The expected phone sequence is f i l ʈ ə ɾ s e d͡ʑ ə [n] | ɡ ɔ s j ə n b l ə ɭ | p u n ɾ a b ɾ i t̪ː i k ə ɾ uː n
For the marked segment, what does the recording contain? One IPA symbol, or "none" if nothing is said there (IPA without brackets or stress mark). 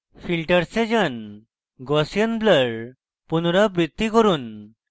n